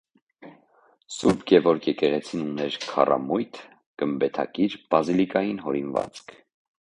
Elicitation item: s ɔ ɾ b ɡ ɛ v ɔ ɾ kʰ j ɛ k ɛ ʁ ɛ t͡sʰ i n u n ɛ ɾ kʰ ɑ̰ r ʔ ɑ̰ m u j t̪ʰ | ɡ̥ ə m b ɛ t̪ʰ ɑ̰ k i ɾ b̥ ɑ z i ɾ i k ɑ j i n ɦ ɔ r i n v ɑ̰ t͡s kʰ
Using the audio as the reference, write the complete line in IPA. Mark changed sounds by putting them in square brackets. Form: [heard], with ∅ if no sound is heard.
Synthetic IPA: s [u] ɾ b ɡ ɛ v ɔ ɾ kʰ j ɛ k ɛ ʁ ɛ t͡sʰ i n u n ɛ ɾ kʰ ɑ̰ r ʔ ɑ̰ m u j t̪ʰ | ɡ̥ ə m b ɛ t̪ʰ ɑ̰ k i ɾ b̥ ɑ z i [l] i k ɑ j i n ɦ ɔ [ɾ] i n v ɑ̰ t͡s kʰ